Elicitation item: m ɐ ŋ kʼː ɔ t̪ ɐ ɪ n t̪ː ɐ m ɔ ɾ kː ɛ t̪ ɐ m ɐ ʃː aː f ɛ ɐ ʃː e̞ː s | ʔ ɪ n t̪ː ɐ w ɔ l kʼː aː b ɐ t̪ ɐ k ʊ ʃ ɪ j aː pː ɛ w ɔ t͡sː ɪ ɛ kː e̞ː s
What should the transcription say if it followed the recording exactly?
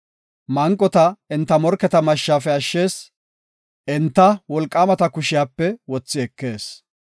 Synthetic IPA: m ɐ ŋ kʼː ɔ t̪ ɐ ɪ n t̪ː ɐ m ɔ ɾ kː ɛ t̪ ɐ m ɐ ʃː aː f ɛ ɐ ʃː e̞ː s | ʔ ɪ n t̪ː ɐ w ɔ l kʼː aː m ɐ t̪ ɐ k ʊ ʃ ɪ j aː pː ɛ w ɔ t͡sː ɪ ɛ kː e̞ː s